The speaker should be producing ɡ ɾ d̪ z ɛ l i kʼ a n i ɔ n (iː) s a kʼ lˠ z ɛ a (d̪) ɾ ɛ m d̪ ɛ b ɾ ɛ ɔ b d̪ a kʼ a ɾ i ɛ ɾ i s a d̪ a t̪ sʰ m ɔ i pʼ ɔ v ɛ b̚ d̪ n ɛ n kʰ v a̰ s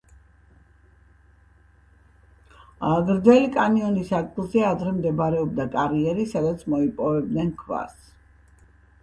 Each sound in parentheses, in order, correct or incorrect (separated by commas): incorrect, correct